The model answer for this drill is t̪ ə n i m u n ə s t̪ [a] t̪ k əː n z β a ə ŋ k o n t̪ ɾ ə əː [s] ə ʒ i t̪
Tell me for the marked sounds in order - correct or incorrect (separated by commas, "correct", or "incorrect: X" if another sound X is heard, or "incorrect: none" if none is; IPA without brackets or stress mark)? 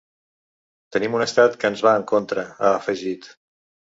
correct, incorrect: f